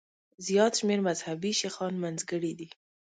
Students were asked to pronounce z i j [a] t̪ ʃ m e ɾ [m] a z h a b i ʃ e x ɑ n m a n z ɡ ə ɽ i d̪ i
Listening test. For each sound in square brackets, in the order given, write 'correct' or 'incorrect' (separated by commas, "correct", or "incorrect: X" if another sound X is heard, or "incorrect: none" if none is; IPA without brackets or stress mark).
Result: incorrect: ɑ, correct